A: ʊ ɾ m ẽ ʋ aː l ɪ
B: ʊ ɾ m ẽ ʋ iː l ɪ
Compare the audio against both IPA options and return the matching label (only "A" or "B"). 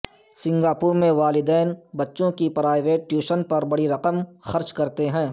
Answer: A